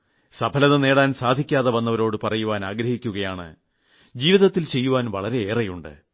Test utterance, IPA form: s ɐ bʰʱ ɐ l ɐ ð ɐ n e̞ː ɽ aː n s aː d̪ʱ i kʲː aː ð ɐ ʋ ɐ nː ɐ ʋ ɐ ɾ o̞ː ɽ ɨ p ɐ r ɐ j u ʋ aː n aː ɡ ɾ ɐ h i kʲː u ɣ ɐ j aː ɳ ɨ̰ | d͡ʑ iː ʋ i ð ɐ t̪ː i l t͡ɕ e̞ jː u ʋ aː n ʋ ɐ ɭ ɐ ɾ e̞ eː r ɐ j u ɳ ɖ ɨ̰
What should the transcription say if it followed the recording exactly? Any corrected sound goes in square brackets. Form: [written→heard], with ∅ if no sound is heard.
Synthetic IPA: s ɐ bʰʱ ɐ l ɐ ð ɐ n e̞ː ɽ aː n s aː d̪ʱ i kʲː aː ð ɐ ʋ ɐ nː ɐ ʋ ɐ ɾ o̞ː ɽ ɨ p ɐ r ɐ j u ʋ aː n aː ɡ ɾ ɐ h i kʲː u ɣ ɐ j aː ɳ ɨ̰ | d͡ʑ iː ʋ i ð ɐ t̪ː i l t͡ɕ e̞ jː u ʋ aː n ʋ ɐ ɭ ɐ ɾ e̞ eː r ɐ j u ɳ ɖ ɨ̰